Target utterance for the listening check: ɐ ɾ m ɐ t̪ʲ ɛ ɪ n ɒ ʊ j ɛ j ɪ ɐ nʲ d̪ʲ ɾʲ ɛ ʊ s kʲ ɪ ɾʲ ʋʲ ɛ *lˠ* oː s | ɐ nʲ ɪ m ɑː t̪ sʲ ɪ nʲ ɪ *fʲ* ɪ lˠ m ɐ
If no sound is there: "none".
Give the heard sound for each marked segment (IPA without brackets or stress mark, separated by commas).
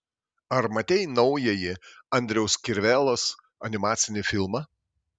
lˠ, fʲ